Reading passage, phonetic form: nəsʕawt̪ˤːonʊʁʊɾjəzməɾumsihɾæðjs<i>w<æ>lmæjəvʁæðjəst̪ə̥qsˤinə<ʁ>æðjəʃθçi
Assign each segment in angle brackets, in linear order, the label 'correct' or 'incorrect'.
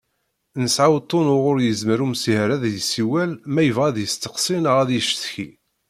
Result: correct, correct, correct

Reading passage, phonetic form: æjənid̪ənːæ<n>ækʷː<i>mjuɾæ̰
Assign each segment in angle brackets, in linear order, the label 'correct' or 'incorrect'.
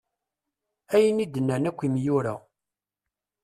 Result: correct, correct

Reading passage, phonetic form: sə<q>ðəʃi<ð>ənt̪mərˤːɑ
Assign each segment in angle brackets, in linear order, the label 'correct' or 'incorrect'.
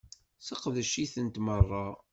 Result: correct, incorrect: θ

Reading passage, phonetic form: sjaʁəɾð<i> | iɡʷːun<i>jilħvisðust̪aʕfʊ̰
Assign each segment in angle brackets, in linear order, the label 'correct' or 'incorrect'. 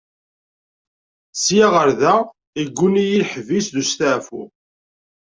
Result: incorrect: æ, correct

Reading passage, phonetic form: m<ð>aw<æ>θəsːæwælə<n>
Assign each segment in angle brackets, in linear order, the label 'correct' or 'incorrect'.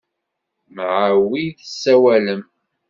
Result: incorrect: ʕ, incorrect: i, incorrect: m

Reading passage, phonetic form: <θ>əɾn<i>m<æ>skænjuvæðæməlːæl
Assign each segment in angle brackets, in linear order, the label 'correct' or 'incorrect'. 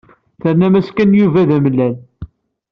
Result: correct, incorrect: æ, correct

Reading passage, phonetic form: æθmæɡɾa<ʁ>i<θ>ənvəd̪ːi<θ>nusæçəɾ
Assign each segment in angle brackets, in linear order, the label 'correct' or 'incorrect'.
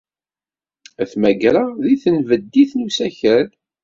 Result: incorrect: ð, correct, correct

